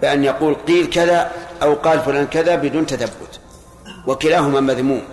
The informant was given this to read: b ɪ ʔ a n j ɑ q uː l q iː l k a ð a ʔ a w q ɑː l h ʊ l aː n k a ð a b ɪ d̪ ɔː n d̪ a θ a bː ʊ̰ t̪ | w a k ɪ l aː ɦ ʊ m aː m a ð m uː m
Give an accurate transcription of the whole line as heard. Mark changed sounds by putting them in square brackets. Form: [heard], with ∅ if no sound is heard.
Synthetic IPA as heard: b ɪ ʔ a n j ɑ q uː l q iː l k a ð a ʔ a w q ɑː l [f] ʊ l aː n k a ð a b ɪ d̪ [uː] n [t̪] a θ a bː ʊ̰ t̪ | w a k ɪ l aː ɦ ʊ m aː m a ð m uː m